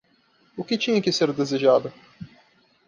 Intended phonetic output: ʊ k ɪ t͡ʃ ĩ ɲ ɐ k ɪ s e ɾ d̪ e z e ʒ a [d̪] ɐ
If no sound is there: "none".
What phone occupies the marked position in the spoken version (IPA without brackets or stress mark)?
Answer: d̪